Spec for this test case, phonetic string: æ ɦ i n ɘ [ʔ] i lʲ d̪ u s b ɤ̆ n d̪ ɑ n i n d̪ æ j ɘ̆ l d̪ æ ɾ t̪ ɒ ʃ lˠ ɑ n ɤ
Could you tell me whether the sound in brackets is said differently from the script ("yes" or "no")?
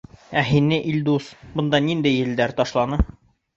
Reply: no